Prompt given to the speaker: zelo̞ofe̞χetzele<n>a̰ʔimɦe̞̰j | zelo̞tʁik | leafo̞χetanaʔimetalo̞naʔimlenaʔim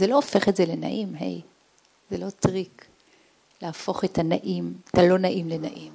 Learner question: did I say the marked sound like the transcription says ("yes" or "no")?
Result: yes